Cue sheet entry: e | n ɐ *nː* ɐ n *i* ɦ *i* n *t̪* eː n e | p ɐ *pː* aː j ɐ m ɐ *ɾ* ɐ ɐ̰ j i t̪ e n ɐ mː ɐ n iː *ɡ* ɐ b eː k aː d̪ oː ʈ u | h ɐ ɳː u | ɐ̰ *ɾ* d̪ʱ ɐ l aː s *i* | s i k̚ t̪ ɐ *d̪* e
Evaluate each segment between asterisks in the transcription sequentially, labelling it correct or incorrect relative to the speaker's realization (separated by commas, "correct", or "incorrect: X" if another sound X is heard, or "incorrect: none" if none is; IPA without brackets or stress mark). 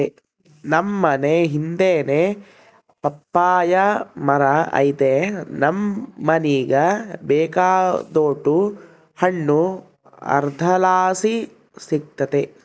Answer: incorrect: mː, incorrect: e, correct, incorrect: d̪, correct, correct, correct, correct, correct, incorrect: t̪